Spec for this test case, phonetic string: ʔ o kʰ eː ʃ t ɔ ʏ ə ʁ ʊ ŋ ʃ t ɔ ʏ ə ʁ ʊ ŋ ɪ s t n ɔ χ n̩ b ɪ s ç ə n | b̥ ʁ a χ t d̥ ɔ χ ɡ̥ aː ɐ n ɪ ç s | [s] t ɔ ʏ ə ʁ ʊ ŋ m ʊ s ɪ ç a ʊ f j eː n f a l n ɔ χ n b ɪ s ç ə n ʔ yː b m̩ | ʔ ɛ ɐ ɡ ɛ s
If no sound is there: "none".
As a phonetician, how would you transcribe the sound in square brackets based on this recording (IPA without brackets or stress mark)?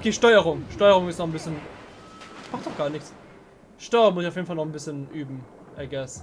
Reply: ʃ